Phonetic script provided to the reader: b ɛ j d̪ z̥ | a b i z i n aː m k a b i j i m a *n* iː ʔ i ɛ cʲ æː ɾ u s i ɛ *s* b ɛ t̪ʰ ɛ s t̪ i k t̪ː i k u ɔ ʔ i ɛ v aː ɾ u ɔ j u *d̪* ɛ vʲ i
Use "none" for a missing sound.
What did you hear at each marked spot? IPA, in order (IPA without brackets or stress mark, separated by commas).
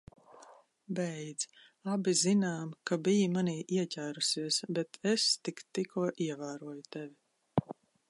n, s, t̪